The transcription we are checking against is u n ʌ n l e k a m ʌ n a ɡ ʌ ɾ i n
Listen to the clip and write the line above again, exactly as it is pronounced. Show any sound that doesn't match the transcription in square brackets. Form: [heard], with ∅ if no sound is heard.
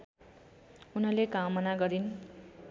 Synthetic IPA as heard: u n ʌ [∅] l e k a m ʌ n a ɡ ʌ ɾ i n